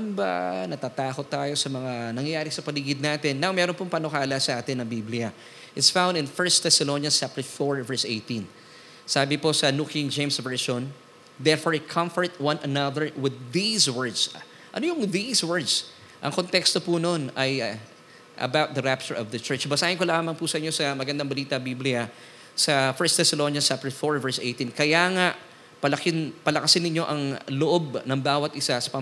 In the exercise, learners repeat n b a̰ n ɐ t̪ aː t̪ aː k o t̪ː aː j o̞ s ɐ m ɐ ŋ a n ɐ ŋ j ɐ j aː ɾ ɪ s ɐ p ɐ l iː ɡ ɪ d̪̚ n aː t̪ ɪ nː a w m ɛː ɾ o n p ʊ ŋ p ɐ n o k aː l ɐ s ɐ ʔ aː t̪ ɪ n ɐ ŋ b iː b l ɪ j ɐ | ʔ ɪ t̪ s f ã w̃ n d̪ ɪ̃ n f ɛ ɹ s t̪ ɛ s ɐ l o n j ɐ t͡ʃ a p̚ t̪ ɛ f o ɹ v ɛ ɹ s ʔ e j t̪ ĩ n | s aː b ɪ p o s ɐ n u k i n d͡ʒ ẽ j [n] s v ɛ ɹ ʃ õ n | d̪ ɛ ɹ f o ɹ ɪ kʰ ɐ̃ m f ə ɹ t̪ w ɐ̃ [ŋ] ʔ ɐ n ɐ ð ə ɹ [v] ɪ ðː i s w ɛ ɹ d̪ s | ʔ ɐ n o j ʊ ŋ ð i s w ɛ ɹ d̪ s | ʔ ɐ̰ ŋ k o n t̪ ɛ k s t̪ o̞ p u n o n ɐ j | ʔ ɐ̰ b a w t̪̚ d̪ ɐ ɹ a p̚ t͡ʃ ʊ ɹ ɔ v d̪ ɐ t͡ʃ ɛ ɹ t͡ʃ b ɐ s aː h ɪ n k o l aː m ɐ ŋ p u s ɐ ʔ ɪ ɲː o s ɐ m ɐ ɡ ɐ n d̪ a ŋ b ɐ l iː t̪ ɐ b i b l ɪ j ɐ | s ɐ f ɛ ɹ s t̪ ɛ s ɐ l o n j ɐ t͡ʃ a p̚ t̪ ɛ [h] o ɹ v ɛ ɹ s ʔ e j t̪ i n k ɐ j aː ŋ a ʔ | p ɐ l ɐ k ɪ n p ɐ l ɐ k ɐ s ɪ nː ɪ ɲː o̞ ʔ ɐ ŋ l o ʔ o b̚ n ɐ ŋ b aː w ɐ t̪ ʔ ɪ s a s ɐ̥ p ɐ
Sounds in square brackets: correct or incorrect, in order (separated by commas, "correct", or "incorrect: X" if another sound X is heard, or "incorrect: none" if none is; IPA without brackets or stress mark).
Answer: incorrect: m, incorrect: n, incorrect: w, incorrect: f